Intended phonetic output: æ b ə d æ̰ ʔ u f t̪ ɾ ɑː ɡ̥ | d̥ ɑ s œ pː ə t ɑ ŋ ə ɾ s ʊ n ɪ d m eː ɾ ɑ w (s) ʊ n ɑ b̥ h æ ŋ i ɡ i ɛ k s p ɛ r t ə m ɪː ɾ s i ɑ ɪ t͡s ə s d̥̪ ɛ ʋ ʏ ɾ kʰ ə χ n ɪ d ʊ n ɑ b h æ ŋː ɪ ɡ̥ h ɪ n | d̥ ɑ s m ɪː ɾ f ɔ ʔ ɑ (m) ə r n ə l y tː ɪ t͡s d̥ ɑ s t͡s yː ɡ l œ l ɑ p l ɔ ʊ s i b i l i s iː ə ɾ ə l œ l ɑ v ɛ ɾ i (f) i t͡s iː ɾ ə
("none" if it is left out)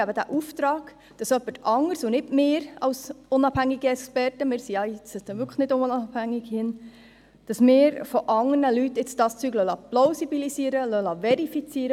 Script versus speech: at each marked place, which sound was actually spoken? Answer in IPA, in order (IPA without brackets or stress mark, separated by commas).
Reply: s, ŋ, f